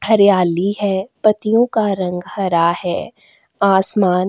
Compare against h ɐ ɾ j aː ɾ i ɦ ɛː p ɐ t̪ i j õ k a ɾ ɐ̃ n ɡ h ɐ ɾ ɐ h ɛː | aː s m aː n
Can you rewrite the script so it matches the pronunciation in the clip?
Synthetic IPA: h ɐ ɾ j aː l i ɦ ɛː p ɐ t̪ i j õ k a ɾ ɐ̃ ŋ ɡ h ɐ ɾ a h ɛː | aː s m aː n